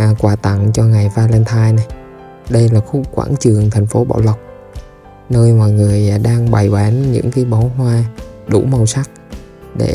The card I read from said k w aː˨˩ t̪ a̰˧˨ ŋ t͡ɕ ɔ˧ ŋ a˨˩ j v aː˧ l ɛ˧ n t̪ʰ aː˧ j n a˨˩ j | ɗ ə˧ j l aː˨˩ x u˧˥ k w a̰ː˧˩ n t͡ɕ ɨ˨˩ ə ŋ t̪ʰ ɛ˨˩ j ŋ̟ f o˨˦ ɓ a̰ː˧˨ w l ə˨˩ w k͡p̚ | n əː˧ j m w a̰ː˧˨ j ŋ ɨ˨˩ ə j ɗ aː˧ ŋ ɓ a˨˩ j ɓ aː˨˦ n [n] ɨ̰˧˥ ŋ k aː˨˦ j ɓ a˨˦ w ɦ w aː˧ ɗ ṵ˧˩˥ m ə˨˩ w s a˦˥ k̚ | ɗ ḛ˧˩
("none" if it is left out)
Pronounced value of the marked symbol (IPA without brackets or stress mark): ɲ